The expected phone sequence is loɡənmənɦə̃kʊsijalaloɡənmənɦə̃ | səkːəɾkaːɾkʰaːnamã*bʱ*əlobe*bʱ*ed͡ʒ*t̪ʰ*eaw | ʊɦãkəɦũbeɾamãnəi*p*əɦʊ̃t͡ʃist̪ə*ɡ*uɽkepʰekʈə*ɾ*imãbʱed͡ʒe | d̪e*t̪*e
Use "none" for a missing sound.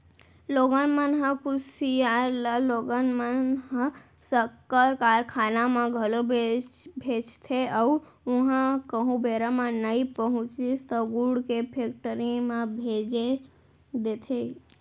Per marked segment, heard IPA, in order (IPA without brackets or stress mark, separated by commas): ɡʱ, bʱ, t̪ʰ, p, ɡ, ɾ, t̪ʰ